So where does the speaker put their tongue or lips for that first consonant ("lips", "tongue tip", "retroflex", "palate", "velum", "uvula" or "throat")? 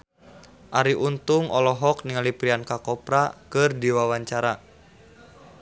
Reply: throat